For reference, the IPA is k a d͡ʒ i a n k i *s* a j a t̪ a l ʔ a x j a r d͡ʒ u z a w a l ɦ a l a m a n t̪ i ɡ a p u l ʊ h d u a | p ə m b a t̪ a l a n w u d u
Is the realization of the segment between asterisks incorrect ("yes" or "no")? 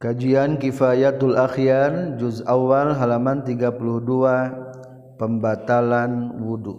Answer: yes